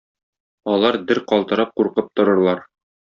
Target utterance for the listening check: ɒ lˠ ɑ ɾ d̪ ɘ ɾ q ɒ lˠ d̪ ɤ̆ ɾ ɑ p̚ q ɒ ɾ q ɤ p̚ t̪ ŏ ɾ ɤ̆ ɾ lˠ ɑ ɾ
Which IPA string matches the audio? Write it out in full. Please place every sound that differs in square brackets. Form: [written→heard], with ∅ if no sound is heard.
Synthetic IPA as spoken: ɒ lˠ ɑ ɾ d̪ ɘ ɾ q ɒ lˠ [d̪→t̪] ɤ̆ ɾ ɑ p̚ q [ɒ→u] ɾ q ɤ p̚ t̪ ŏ ɾ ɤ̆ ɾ lˠ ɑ ɾ